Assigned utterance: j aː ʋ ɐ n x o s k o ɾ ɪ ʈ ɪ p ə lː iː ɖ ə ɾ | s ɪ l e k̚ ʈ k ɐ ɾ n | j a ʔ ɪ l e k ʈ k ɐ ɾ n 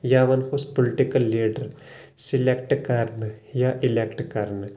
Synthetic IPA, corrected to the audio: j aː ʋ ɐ n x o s p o l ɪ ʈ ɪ k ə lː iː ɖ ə ɾ | s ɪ l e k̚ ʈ k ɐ ɾ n | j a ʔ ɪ l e k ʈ k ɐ ɾ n